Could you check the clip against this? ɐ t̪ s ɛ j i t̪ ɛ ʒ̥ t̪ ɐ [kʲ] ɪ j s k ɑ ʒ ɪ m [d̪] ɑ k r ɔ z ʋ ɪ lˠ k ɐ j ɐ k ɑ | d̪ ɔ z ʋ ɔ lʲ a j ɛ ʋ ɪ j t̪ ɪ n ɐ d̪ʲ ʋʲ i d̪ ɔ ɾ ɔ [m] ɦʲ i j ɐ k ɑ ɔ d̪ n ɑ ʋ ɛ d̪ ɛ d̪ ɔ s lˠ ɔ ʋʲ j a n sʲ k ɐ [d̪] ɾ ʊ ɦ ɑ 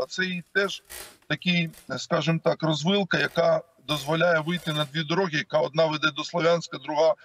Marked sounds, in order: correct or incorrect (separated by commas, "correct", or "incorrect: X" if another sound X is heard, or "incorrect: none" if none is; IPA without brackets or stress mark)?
correct, incorrect: t̪, incorrect: none, correct